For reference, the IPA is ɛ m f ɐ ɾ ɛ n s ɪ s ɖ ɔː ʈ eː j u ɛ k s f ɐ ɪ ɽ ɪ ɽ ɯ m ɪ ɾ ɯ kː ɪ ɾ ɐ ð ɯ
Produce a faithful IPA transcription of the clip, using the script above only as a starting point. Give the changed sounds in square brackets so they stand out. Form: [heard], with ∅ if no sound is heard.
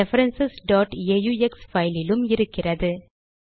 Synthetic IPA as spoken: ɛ [∅] f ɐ ɾ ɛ n s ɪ s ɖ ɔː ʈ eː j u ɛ k s f ɐ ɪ [l] ɪ [l] ɯ m ɪ ɾ ɯ kː ɪ [r] ɐ ð ɯ